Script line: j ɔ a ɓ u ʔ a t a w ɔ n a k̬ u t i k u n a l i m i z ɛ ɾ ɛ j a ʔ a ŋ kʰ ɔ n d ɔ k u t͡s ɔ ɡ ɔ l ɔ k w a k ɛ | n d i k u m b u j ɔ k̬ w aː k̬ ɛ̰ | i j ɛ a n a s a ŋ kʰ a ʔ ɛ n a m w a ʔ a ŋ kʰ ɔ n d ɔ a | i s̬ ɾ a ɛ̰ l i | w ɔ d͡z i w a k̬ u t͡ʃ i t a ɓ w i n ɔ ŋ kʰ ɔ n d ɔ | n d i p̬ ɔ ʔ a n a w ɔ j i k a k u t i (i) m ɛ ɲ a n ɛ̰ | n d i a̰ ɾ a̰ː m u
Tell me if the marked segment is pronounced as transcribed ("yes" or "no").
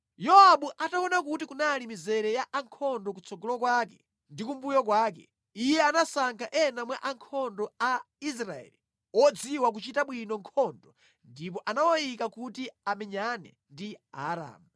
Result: no